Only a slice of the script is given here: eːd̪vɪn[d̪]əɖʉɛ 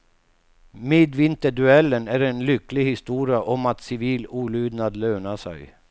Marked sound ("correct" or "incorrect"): incorrect